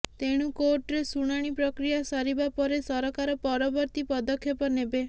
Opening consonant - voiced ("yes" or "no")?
no